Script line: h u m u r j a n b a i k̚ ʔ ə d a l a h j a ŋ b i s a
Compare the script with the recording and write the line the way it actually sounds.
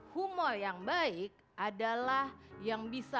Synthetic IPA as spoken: h u m ɔ r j a ŋ b a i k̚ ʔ a d a l a h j a ŋ b i s a